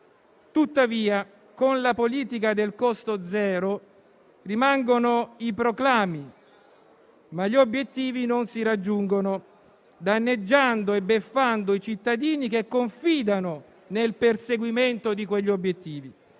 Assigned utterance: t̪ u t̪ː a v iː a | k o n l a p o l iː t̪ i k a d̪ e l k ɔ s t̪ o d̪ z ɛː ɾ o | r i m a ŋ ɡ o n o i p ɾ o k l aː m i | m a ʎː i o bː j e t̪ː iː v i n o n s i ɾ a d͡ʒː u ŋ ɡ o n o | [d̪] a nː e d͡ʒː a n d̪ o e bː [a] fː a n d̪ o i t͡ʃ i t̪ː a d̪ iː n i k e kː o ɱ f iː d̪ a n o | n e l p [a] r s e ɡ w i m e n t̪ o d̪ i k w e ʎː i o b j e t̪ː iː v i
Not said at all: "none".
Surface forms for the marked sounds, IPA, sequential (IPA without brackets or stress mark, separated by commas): d̪, e, e